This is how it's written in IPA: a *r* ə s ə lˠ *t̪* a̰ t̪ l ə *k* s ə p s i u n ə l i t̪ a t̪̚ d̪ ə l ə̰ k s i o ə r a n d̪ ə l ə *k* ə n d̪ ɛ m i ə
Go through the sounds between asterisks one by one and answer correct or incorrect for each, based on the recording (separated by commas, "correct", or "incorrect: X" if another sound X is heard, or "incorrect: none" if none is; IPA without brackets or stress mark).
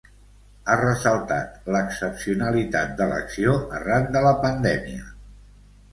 correct, correct, correct, incorrect: p